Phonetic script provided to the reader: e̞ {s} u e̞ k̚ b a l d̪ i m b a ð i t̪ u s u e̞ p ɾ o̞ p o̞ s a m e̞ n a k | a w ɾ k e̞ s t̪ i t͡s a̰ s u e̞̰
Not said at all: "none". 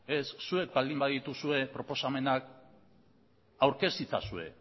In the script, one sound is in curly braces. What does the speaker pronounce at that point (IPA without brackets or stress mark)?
sː